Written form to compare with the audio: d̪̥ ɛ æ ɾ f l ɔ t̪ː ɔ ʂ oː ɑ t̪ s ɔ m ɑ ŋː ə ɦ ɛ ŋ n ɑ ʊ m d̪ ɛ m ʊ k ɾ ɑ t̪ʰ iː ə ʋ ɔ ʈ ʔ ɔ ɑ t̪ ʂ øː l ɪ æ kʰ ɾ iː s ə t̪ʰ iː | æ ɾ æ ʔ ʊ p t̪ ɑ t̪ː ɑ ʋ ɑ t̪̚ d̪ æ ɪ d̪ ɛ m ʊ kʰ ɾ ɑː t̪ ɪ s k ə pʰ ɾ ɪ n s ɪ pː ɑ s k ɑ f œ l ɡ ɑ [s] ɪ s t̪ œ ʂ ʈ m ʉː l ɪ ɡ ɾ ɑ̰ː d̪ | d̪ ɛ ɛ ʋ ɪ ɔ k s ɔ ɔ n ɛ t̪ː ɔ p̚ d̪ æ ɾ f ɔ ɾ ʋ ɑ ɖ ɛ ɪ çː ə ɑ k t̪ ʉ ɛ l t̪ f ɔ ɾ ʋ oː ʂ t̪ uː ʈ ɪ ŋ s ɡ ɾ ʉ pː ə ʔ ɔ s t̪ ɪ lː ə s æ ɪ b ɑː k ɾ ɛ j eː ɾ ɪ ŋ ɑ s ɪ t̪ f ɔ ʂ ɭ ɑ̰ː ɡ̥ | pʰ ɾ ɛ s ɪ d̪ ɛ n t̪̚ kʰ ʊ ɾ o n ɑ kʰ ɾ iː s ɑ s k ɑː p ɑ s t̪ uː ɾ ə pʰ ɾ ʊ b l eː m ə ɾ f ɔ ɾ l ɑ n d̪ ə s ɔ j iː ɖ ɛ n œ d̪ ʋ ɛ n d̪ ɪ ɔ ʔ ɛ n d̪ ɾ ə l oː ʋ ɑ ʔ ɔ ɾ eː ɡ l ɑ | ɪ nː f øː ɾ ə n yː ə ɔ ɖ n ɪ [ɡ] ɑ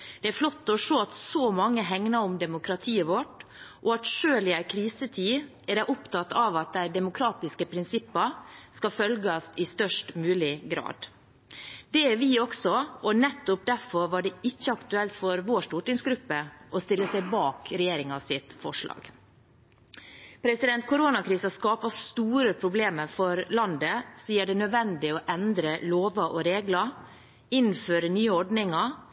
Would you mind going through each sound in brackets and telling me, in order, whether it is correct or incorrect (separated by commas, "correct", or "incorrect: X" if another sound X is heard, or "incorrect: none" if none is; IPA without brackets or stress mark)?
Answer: correct, incorrect: ŋ